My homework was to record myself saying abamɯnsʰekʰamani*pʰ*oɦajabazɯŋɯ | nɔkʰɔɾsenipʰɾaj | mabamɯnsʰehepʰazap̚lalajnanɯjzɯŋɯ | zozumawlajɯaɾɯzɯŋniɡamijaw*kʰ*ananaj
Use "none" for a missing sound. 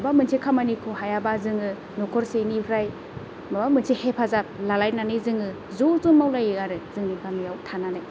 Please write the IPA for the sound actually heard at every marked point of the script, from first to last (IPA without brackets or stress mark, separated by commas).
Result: kʰ, tʰ